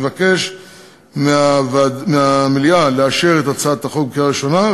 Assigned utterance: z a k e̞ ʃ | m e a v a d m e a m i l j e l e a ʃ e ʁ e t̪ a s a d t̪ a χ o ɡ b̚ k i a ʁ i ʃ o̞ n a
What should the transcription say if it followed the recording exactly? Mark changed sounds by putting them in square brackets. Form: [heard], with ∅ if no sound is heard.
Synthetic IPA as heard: [v] a k e̞ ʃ | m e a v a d m e a m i l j [a] l e a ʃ e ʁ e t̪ a [t͡s] a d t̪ a χ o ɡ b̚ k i a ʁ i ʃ o̞ n a